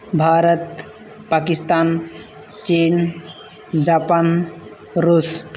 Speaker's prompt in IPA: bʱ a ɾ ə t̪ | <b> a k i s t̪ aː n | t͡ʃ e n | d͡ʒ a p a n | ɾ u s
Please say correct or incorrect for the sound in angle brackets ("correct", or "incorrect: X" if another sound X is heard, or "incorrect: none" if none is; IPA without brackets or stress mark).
incorrect: p